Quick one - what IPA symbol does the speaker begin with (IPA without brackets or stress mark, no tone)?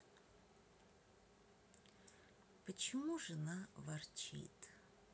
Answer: p